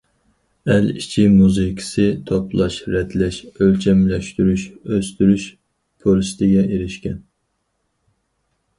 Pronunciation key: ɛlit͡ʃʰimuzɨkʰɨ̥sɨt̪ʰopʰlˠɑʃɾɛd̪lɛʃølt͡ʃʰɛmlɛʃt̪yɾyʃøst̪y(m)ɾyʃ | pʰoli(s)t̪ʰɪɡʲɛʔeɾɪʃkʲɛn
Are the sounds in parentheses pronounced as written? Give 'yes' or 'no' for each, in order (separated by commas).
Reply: no, yes